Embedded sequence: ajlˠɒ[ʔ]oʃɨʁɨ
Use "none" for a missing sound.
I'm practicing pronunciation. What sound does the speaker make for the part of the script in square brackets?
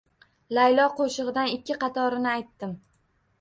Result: q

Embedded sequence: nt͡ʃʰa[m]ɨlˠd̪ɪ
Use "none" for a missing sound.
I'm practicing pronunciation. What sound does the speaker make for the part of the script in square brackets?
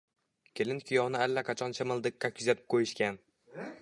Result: m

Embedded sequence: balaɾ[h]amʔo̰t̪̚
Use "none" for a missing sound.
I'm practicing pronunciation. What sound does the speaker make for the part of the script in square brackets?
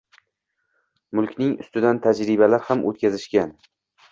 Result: h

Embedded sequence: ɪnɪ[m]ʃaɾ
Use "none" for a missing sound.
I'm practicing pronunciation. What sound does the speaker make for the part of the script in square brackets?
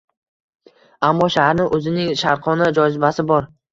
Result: ŋ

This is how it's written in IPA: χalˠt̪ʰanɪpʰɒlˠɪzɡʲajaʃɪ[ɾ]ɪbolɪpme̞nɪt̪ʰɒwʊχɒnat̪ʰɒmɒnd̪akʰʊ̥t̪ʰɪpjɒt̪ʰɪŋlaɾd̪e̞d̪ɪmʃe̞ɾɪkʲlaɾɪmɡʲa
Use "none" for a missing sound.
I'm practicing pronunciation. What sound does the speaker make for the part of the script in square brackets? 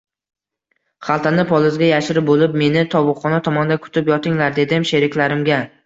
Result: ɾ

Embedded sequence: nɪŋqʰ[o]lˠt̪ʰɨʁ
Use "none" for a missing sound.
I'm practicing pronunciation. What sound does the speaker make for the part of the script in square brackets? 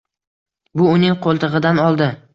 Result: o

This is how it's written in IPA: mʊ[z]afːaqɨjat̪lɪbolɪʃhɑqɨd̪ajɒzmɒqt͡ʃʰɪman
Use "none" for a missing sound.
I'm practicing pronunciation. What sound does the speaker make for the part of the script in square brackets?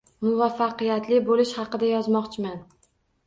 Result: v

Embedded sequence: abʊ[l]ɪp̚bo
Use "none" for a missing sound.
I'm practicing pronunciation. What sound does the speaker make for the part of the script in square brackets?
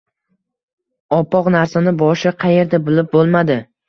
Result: l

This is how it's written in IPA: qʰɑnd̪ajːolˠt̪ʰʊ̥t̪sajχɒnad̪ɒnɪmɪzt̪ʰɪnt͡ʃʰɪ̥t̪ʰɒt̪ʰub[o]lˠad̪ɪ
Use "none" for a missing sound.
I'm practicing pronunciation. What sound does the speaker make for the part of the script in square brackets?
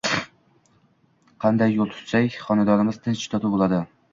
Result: o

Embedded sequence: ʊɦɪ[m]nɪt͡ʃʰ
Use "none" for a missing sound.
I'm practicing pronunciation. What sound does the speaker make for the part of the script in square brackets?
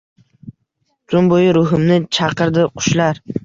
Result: m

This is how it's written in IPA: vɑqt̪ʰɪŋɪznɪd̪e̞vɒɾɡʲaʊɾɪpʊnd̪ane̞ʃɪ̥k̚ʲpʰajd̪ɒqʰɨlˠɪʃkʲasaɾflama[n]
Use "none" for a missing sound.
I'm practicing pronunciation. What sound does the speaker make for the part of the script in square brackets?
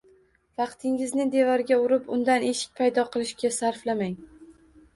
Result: ŋ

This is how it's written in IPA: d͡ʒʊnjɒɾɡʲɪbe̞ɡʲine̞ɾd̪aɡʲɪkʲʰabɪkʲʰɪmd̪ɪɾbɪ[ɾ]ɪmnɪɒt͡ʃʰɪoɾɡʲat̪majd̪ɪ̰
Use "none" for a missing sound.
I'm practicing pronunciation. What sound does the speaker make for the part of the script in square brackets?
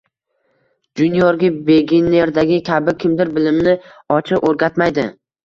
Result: l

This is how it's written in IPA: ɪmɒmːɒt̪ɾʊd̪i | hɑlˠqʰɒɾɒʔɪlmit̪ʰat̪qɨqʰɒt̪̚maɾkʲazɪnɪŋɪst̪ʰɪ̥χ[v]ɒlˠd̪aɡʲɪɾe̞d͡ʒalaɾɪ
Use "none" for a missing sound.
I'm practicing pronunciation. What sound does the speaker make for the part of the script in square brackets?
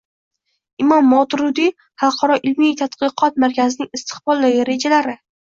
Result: b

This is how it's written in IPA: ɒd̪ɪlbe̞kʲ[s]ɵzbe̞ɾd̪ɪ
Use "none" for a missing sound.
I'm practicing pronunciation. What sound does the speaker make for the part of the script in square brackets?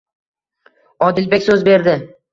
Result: s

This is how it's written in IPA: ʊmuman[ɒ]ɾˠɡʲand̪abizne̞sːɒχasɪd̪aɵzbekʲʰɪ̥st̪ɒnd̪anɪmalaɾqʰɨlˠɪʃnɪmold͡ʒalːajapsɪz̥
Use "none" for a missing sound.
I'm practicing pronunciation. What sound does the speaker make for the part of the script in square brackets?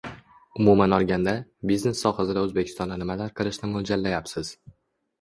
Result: ɒ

